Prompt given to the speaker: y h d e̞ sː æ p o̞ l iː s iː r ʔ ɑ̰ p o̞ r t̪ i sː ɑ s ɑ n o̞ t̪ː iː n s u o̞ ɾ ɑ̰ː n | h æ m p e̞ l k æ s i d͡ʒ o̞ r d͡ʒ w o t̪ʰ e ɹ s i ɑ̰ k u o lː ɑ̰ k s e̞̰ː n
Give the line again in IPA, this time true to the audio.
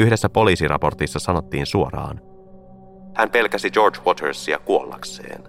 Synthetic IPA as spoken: y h d e̞ sː æ p o̞ l iː s i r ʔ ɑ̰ p o̞ r t̪ i sː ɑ s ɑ n o̞ t̪ː iː n s u o̞ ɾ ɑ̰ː n | h æ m p e̞ l k æ s i d͡ʒ o̞ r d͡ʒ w o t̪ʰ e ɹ s i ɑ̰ k u o lː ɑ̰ k s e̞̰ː n